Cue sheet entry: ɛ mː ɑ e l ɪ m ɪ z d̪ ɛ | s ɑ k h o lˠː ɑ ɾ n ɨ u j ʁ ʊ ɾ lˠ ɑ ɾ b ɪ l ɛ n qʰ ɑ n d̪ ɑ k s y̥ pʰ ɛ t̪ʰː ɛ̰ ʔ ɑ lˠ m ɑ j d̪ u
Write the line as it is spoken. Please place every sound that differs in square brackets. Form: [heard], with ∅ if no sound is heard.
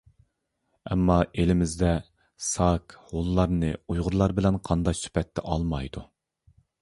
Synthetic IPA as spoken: ɛ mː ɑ e l ɪ m ɪ z d̪ ɛ | s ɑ k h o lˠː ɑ ɾ n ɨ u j ʁ ʊ ɾ lˠ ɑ ɾ b ɪ l ɛ n qʰ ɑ n d̪ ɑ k s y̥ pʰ ɛ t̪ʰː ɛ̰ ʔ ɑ lˠ m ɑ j d̪ u